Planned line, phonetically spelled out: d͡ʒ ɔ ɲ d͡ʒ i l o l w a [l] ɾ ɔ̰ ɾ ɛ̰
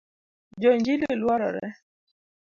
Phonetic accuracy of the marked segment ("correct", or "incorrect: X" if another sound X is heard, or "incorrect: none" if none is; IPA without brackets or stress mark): incorrect: none